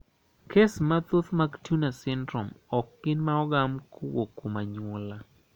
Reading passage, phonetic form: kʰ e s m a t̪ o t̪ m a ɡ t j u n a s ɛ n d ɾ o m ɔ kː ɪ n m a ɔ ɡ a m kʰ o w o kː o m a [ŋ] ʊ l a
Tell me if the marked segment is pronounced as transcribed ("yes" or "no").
no